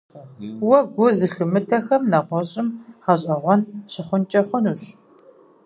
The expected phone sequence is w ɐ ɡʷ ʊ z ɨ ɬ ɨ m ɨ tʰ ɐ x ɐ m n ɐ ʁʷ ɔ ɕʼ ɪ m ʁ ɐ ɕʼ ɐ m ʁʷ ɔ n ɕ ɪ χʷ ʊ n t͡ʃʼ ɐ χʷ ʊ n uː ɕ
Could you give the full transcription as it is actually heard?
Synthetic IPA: w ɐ ɡʷ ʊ z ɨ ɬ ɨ m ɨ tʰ ɐ x ɐ m n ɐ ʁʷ ɔ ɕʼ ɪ m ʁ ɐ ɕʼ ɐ ʁʷ ɔ n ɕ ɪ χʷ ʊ n t͡ʃʼ ɐ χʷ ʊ n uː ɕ